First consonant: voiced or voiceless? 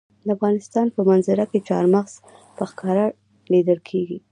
voiced